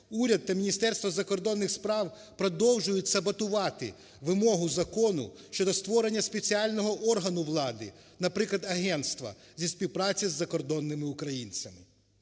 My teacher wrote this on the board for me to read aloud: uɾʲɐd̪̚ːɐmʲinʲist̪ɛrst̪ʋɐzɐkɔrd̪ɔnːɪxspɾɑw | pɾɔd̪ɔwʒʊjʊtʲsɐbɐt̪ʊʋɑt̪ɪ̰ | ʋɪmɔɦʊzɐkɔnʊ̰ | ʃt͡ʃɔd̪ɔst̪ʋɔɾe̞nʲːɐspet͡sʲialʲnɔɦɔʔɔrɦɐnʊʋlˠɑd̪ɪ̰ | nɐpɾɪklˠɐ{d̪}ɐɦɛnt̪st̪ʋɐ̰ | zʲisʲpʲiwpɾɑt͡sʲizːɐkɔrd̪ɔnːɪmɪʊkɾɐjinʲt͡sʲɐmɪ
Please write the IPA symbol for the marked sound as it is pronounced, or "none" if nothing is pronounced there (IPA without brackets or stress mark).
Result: d̪